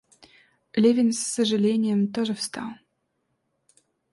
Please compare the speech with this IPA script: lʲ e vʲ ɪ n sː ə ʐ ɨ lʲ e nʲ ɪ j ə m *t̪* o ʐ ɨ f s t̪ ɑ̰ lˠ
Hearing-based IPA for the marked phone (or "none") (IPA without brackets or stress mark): t̪